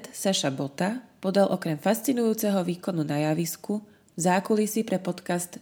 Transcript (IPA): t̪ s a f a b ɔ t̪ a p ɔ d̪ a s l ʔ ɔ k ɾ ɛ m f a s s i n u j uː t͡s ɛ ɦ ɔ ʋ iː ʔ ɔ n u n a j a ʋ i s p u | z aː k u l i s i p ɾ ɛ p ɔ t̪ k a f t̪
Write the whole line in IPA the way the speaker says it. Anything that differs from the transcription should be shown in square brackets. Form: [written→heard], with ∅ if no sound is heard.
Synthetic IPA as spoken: t̪ s a [f→ʃ] a b ɔ t̪ a p ɔ d̪ a [s→∅] l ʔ ɔ k ɾ ɛ m f a s [s→t͡s] i n u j uː t͡s ɛ ɦ ɔ ʋ iː [ʔ→k] ɔ n u n a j a ʋ i s [p→k] u | z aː k u l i s i p ɾ ɛ p ɔ t̪ k a [f→s] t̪